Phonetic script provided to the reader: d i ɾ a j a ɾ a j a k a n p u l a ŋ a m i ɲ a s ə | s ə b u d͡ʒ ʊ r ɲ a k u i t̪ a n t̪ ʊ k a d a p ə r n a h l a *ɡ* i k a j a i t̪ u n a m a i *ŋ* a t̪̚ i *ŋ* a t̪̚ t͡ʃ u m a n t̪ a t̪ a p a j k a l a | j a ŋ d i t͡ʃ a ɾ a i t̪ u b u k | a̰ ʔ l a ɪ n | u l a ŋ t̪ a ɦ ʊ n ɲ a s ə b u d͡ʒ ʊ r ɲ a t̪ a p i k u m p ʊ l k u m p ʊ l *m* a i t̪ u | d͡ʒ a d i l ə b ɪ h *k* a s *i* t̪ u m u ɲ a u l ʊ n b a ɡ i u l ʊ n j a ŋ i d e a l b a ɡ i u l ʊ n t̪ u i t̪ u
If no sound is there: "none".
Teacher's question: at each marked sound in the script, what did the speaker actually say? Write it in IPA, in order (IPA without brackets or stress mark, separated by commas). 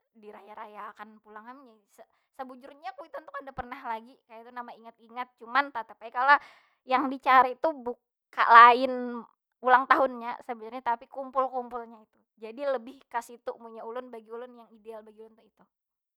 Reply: ɡ, ŋ, ŋ, ɲ, k, i